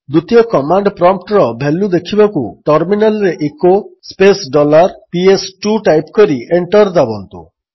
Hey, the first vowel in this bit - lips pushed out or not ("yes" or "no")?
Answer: yes